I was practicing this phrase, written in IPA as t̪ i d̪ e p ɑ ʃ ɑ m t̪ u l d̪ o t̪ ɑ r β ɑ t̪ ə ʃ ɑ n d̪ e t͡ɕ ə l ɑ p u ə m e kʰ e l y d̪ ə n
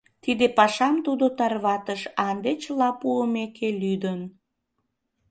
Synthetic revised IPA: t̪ i d̪ e p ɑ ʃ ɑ m t̪ u d̪ o t̪ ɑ r β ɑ t̪ ə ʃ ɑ n d̪ e t͡ɕ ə l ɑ p u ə m e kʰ e l y d̪ ə n